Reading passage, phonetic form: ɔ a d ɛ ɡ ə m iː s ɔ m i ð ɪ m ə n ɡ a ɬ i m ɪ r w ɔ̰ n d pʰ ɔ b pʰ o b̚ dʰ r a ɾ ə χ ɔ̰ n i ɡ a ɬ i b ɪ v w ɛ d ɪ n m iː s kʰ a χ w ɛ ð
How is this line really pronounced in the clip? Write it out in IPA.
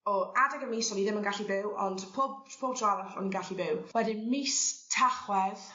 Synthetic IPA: ɔ a d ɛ ɡ ə m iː s ɔ n i ð ɪ m ə n ɡ a ɬ i b ɪ w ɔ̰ n d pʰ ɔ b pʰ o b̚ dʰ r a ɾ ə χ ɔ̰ n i ɡ a ɬ i b ɪ w w ɛ d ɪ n m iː s tʰ a χ w ɛ ð